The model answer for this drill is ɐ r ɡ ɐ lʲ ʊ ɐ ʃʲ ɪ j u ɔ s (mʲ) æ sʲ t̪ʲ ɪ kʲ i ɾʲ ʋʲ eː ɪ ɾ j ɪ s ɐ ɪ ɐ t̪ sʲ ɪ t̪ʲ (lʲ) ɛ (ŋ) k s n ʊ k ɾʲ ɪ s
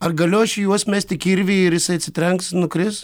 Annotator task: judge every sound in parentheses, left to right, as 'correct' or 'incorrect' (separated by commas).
correct, incorrect, correct